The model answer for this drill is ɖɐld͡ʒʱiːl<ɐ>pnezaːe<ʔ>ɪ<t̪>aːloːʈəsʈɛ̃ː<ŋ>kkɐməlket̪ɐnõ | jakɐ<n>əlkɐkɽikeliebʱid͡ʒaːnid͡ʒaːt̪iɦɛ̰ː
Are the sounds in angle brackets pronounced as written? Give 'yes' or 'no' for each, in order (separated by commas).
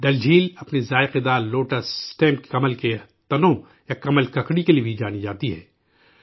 yes, no, no, no, no